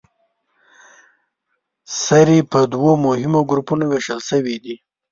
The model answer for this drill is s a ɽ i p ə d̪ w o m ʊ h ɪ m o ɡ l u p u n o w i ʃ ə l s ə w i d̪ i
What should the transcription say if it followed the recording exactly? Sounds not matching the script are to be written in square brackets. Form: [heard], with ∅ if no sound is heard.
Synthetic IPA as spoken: s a [ɾ] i p ə d̪ w o m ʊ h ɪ m o ɡ [ɾ] u p u n o w [e] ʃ ə l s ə w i d̪ i